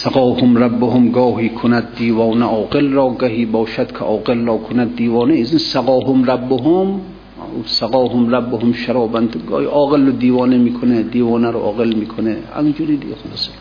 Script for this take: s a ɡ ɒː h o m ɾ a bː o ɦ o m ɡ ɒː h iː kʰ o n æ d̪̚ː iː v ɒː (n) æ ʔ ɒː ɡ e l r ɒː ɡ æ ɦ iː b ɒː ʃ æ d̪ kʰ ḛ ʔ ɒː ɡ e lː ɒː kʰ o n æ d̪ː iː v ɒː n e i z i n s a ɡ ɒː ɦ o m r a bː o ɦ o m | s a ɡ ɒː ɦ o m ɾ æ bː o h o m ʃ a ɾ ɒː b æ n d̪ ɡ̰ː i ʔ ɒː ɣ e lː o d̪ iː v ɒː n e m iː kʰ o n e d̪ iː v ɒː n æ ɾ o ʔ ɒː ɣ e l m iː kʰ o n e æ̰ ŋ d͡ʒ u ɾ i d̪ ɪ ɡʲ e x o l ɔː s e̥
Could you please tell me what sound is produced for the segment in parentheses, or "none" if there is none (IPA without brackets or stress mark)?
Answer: n